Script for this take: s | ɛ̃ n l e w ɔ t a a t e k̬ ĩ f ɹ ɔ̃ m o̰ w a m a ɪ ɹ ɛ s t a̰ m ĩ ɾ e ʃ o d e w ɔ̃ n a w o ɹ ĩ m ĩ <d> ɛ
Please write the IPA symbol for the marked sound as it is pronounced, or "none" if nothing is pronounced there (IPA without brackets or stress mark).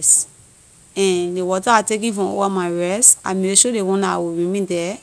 d